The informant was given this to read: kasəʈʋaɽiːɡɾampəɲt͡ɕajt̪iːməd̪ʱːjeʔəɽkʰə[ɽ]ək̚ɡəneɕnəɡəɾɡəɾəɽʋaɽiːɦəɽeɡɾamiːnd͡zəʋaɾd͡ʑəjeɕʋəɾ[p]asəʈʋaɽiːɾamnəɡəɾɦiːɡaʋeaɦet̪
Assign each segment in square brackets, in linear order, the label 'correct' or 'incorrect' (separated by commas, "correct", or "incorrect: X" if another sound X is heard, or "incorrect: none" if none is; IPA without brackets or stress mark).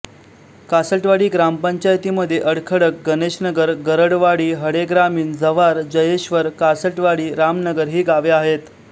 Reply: correct, incorrect: k